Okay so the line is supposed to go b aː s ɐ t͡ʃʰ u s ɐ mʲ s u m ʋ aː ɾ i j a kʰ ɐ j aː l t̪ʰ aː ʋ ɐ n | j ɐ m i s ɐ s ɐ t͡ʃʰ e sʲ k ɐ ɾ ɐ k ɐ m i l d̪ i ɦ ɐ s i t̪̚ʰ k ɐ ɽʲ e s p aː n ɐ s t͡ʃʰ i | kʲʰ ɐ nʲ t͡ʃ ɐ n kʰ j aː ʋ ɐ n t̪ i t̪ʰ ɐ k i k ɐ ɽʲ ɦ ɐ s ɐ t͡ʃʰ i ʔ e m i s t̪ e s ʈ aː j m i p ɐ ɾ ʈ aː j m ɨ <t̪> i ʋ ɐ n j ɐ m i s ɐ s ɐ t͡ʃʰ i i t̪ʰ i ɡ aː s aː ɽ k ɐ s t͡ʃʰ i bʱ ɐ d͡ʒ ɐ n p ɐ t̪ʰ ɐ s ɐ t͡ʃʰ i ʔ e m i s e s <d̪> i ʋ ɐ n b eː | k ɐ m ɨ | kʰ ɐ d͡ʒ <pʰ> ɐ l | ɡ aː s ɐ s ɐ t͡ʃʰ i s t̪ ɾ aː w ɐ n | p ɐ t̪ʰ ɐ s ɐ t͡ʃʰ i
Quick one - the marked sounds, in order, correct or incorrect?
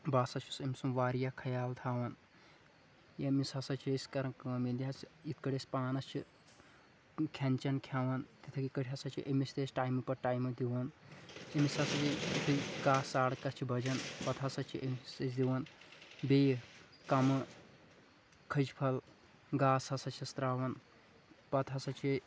incorrect, correct, correct

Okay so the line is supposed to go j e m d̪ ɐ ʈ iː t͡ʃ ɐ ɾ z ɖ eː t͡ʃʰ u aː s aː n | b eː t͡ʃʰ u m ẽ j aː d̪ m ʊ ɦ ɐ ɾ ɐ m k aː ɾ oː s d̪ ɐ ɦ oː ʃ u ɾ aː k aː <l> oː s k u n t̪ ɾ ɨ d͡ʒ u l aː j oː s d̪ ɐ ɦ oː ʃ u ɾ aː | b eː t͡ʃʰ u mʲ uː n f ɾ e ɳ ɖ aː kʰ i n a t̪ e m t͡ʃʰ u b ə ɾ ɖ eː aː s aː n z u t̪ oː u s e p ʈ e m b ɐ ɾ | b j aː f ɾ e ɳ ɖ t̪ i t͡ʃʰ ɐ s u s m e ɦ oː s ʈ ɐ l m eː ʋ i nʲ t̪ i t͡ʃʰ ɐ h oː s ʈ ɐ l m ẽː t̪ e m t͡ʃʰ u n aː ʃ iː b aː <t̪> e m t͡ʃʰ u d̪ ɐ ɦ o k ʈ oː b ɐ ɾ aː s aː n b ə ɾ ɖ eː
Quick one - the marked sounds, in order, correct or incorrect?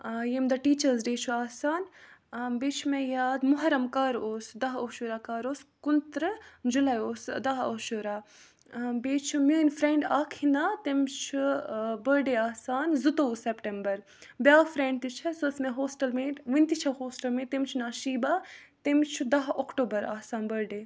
incorrect, correct

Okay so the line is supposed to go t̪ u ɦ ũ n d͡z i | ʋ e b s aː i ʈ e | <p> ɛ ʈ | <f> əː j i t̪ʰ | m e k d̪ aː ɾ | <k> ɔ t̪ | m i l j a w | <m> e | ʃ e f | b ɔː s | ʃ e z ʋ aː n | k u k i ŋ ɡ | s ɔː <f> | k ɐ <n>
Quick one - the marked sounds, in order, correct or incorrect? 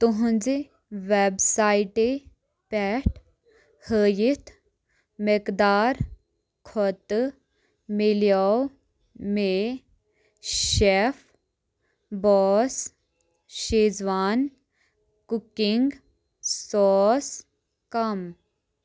correct, incorrect, incorrect, correct, incorrect, incorrect

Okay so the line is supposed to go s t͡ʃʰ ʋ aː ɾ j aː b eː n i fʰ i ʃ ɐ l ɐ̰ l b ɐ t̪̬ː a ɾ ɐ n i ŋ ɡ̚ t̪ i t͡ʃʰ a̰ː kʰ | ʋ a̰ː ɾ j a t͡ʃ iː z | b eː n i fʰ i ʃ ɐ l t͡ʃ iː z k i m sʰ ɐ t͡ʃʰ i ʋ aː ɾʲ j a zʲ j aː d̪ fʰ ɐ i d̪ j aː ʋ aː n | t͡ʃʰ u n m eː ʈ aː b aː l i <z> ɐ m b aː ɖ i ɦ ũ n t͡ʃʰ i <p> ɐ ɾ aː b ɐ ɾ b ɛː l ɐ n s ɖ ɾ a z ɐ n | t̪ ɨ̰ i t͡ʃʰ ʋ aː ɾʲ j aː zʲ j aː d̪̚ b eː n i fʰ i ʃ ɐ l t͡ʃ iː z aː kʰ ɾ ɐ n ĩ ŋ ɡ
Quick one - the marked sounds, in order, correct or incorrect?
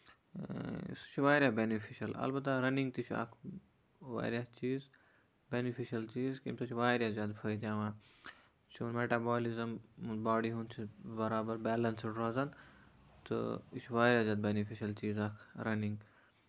correct, incorrect

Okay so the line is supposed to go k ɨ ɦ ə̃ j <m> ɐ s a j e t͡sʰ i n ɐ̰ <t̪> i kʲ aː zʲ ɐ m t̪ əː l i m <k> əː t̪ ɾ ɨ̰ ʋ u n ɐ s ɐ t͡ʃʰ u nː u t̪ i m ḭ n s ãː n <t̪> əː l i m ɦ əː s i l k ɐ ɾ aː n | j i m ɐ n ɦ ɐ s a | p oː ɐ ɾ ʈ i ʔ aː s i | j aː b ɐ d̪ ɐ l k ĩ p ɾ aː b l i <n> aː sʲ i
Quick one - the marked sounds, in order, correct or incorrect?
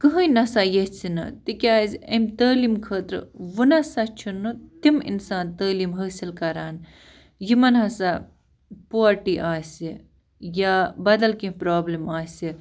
incorrect, correct, incorrect, correct, incorrect

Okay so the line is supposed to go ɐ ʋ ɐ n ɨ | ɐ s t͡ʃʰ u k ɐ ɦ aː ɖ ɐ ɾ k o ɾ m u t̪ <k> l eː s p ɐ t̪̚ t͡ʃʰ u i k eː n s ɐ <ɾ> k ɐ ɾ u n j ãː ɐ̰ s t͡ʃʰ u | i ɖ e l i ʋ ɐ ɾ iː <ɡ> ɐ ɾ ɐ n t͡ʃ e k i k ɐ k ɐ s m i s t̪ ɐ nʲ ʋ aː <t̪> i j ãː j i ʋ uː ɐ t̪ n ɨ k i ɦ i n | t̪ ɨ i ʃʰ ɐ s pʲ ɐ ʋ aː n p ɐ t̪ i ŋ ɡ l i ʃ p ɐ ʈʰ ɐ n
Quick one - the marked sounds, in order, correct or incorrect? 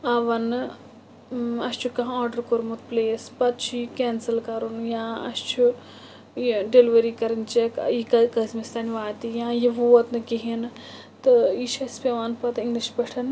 incorrect, incorrect, incorrect, correct

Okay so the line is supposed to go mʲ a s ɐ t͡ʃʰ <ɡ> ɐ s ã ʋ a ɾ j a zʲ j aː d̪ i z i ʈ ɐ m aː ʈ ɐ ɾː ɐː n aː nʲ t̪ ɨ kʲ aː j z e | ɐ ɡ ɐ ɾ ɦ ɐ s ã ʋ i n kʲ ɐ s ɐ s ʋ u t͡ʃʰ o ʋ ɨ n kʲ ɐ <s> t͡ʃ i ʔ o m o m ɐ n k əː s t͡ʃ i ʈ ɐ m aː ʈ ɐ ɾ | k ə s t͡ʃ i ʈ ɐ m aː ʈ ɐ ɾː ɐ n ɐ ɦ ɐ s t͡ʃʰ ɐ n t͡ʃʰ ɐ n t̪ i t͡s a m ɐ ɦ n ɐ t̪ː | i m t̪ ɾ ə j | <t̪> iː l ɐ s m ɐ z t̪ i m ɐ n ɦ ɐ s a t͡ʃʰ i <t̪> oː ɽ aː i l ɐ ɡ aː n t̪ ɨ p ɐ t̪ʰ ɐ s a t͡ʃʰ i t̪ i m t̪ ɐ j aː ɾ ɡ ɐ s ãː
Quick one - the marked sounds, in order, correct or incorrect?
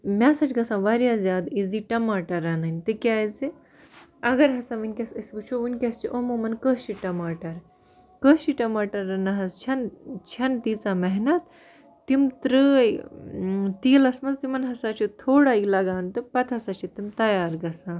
correct, correct, correct, incorrect

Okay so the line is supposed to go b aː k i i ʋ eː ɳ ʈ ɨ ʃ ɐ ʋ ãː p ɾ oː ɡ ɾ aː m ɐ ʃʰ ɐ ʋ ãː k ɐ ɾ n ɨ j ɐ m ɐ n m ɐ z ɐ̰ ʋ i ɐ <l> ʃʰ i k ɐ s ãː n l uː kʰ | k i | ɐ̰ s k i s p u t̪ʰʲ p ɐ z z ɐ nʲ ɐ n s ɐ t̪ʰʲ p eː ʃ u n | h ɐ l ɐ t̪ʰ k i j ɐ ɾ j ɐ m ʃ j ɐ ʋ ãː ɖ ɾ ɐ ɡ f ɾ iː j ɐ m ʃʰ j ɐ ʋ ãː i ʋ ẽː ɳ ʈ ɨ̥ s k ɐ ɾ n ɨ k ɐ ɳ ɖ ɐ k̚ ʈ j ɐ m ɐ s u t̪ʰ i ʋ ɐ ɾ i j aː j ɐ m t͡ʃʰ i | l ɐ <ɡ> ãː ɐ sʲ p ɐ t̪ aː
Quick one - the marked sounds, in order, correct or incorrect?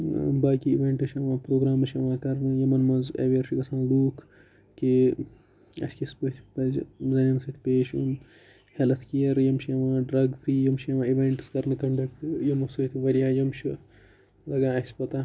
incorrect, correct

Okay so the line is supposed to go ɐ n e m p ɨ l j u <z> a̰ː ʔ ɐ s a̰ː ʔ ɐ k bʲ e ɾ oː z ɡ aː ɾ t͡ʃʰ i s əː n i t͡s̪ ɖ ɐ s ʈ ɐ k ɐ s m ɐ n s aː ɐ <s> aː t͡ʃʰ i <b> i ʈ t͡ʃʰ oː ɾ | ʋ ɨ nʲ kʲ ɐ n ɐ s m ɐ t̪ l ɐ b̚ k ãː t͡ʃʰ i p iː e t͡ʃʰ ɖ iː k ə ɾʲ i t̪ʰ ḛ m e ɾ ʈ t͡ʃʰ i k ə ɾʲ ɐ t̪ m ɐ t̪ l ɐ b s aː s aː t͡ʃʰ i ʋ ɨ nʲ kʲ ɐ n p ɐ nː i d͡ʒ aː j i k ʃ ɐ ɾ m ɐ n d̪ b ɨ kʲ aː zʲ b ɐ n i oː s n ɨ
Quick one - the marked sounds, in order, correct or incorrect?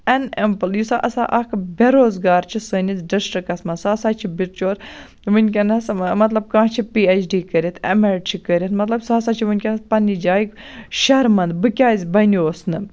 incorrect, correct, correct

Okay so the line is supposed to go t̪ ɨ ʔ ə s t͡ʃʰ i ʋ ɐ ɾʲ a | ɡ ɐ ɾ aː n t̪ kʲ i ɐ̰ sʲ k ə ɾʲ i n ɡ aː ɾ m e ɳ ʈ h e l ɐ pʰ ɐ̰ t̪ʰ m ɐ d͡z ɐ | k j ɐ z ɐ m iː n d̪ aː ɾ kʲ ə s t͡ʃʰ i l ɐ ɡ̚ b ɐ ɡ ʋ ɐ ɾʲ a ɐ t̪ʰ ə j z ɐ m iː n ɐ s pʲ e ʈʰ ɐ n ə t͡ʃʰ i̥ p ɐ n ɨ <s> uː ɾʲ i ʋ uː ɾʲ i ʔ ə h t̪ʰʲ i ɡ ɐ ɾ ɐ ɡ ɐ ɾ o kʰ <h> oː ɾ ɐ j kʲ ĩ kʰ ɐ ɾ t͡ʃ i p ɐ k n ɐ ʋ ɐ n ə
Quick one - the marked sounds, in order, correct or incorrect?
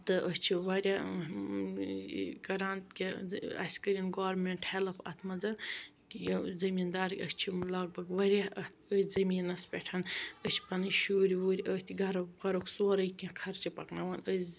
incorrect, incorrect

